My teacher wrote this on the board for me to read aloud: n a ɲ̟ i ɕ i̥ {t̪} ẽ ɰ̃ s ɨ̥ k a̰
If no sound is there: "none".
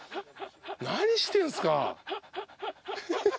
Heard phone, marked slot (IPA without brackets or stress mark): t̪